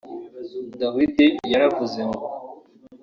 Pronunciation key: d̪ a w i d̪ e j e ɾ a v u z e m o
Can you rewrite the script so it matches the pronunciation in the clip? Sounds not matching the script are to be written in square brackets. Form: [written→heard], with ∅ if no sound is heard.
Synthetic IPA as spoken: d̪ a w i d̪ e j [e→a] ɾ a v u z e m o